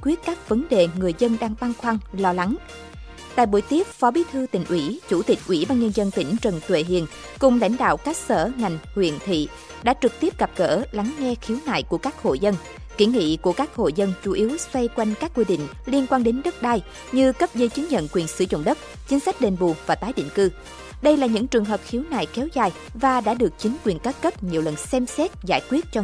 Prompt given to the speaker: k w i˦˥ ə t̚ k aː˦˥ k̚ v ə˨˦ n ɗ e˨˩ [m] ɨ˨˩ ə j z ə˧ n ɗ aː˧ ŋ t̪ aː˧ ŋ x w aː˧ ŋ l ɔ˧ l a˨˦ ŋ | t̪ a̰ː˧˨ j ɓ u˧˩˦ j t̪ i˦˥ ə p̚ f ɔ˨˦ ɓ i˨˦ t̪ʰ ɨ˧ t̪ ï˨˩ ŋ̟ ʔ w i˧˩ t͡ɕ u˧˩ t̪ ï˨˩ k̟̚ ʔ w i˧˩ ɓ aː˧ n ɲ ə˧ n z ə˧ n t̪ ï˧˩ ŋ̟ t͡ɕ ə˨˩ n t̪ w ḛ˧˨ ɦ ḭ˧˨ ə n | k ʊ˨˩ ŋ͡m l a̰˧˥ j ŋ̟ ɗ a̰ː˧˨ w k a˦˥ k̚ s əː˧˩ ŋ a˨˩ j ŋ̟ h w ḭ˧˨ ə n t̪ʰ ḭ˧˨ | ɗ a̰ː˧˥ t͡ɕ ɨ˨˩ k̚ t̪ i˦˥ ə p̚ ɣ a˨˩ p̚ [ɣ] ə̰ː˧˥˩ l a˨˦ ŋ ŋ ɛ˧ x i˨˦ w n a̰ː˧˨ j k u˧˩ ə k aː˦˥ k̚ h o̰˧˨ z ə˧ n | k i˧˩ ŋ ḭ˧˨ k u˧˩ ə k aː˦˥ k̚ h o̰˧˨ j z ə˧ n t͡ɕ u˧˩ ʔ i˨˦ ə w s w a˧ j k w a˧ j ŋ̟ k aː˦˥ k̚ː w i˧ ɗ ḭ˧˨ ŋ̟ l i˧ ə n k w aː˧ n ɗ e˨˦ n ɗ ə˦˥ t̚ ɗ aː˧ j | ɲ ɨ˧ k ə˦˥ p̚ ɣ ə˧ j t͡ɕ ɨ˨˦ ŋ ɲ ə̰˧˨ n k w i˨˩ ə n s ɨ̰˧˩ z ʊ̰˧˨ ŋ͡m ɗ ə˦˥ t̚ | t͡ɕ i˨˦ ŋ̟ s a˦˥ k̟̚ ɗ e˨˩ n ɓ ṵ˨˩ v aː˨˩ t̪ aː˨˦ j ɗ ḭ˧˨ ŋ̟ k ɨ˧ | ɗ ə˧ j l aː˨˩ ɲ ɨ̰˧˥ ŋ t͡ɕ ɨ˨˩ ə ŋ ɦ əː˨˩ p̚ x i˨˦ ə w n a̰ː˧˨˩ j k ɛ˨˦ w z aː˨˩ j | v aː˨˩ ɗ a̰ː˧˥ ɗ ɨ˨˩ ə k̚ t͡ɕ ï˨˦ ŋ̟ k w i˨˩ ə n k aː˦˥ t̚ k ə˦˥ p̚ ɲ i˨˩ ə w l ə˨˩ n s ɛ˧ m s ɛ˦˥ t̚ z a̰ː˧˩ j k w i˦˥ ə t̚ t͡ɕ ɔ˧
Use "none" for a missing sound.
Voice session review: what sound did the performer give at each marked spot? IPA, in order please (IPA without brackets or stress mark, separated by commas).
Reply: ŋ, ɣ